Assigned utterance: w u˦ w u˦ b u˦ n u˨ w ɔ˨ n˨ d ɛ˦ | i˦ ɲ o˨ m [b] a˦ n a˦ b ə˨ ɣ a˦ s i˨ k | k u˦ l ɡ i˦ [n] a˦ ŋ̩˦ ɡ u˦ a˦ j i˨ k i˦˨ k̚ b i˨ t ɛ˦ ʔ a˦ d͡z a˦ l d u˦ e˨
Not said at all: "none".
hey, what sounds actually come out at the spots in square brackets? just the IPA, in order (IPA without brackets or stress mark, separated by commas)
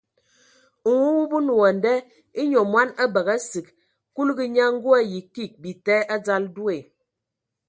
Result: w, ɲ